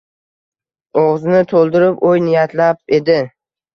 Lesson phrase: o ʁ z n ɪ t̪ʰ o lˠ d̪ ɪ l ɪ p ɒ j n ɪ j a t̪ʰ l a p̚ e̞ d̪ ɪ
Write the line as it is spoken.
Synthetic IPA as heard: o ʁ z n ɪ t̪ʰ o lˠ d̪ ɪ ɾ ɪ p o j n ɪ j a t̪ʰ l a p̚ e̞ d̪ ɪ